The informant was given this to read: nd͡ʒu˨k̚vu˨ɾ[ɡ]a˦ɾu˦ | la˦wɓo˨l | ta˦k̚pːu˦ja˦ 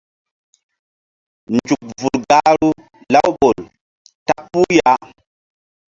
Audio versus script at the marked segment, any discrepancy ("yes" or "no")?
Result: no